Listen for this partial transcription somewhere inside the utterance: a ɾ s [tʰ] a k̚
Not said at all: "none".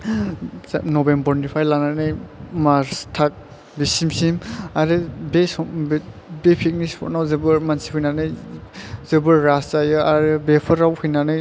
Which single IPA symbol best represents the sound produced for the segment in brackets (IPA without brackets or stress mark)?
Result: tʰ